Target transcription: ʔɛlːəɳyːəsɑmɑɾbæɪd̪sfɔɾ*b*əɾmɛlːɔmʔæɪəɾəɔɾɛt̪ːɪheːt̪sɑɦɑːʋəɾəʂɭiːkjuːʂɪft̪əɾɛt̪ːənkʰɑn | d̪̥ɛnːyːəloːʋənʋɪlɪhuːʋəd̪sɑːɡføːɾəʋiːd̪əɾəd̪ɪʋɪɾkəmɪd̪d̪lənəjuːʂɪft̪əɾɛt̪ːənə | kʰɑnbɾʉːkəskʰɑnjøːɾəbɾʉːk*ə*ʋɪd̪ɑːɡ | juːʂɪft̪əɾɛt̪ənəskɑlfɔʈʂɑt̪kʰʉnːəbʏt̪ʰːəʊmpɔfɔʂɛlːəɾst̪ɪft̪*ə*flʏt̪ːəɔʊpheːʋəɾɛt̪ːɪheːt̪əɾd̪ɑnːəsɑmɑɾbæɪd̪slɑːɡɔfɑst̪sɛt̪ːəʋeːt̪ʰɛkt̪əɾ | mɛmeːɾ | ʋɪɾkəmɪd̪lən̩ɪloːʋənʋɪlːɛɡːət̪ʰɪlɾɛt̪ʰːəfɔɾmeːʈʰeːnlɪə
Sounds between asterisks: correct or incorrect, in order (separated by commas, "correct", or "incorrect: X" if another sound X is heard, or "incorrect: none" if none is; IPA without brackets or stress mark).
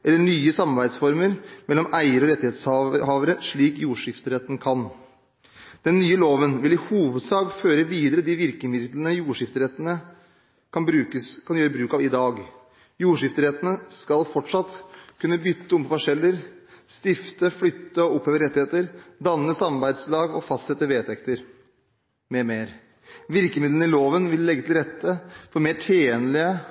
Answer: incorrect: m, incorrect: ɑ, correct